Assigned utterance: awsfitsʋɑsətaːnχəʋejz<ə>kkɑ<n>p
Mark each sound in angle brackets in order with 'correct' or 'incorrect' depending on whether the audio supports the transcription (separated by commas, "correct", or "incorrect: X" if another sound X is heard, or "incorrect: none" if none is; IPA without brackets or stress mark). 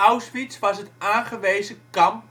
correct, incorrect: m